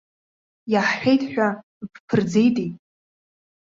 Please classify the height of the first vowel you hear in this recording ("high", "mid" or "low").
low